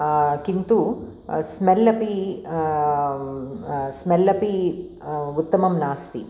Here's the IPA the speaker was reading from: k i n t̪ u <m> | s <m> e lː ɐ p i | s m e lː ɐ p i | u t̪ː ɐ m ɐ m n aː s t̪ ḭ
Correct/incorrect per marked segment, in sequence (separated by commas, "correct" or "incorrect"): incorrect, correct